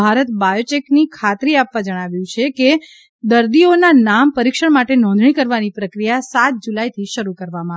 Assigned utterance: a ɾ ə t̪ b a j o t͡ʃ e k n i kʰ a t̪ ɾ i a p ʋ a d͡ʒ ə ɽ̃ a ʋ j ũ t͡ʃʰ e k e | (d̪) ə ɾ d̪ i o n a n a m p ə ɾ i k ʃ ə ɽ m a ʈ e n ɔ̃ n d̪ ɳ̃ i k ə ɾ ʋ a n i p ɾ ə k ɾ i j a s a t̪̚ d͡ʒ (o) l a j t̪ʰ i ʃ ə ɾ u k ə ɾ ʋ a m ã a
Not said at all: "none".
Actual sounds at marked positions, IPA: d̪, u

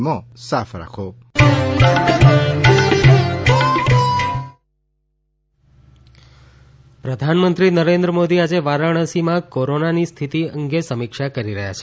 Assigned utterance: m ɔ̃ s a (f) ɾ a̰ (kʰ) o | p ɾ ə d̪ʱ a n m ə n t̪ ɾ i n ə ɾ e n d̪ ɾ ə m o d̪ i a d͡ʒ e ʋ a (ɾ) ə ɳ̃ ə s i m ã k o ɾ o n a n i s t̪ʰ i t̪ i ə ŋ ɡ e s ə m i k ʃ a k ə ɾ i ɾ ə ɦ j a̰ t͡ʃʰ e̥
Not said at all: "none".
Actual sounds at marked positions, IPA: f, kʰ, ɾ

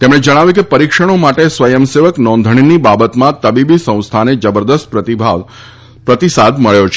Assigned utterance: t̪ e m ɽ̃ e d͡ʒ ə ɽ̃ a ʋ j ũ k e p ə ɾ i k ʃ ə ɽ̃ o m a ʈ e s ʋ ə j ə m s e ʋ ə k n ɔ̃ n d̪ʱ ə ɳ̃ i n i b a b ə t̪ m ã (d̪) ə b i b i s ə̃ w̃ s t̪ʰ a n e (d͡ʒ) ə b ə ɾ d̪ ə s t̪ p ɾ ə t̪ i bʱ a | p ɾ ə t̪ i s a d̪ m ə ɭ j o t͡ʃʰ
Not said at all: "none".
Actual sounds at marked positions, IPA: t̪, d͡ʒ

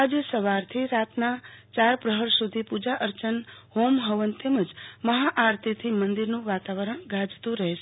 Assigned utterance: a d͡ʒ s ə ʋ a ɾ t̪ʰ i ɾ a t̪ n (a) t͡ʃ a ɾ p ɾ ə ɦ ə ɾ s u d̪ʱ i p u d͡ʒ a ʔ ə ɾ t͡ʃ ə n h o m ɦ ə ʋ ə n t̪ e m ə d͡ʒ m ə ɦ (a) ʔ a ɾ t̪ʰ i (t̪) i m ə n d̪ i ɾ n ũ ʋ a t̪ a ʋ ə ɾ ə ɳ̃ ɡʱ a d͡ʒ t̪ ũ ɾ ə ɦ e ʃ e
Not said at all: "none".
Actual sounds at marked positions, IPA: a, a, t̪ʰ

